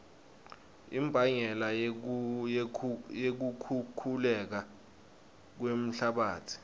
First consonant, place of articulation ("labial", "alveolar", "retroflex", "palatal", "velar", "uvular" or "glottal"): labial